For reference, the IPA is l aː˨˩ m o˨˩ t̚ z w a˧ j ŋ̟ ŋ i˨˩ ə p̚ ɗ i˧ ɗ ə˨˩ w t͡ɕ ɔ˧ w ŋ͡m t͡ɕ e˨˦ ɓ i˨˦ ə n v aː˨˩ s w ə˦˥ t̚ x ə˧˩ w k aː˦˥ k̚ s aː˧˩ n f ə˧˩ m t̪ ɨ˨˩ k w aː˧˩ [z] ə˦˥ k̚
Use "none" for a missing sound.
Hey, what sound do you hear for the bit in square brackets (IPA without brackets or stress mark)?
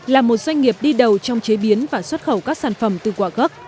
ɣ